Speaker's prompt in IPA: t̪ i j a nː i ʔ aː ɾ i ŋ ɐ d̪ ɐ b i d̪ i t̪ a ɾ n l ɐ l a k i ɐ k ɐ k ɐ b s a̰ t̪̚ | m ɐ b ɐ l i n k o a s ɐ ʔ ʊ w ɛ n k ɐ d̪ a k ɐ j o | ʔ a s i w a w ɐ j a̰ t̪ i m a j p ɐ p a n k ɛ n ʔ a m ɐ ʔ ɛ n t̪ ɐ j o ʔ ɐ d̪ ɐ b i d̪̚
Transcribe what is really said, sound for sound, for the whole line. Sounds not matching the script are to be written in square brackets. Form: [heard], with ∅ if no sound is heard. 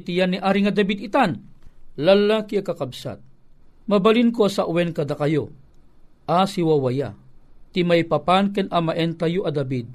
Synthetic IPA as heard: t̪ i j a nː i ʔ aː ɾ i ŋ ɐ d̪ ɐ b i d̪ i t̪ a [∅] n l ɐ l a k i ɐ k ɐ k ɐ b s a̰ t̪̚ | m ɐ b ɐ l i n k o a s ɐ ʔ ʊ w ɛ n k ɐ d̪ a k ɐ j o | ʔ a s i w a w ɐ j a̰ t̪ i m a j p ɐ p a n k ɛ n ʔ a m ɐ ʔ ɛ n t̪ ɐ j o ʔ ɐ d̪ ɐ b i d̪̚